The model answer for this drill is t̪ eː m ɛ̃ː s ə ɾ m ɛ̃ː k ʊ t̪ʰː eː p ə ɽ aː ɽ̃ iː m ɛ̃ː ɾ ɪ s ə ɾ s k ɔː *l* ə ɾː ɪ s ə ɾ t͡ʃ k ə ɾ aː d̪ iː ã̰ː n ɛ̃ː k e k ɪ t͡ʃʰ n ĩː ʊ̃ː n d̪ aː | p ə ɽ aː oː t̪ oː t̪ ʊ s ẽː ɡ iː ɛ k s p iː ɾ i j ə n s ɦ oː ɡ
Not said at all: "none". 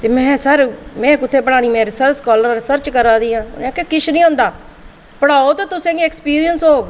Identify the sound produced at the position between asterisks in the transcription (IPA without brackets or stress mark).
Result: l